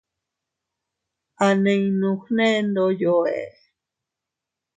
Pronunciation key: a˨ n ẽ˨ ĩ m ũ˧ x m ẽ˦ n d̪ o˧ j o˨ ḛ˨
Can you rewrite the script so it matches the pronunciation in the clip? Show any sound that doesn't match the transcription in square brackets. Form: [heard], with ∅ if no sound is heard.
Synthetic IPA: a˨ n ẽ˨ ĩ [n] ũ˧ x [n] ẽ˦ n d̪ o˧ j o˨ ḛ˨